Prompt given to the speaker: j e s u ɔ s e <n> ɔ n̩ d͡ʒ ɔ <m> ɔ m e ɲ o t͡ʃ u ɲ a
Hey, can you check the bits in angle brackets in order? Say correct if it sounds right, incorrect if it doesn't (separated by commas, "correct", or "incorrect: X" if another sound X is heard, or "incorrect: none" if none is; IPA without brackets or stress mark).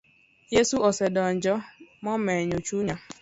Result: incorrect: d, correct